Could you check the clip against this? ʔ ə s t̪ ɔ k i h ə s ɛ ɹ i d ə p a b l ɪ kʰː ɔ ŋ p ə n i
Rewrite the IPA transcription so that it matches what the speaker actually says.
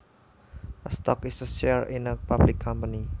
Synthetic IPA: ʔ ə s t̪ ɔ k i s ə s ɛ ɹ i n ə p a b l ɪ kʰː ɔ m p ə n i